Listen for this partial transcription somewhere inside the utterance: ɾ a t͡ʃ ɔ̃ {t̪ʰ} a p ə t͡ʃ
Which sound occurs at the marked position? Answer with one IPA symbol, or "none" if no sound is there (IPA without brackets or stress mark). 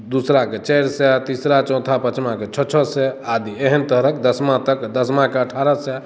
t̪ʰ